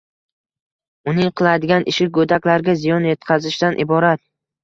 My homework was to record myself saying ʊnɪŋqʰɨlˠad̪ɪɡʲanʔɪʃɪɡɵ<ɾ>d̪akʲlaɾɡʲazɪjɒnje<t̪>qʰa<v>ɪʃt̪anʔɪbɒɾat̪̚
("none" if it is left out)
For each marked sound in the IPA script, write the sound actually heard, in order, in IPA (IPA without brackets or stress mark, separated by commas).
none, t̪, z